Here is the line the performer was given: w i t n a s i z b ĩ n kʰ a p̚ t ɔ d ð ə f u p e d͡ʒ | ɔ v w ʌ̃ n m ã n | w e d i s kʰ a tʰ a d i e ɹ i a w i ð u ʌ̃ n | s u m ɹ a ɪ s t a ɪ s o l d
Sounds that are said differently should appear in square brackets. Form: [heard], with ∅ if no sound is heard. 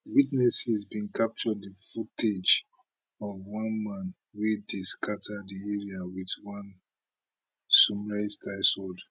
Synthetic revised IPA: w i t n [ɛ] s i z b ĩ n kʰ a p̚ [t͡ʃ] ɔ d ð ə f u [t] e d͡ʒ | ɔ v w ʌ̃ n m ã n | w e d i s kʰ a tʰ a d i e ɹ i a w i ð [w] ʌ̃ n | s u m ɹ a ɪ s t a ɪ s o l d